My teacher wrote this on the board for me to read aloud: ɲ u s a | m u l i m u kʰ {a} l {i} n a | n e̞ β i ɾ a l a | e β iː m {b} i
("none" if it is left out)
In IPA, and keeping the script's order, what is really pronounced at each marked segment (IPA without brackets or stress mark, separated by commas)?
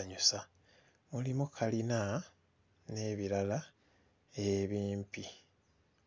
a, i, p